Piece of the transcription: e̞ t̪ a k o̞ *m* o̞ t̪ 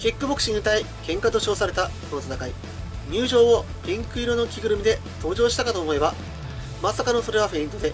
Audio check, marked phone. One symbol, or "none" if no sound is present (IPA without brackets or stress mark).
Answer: n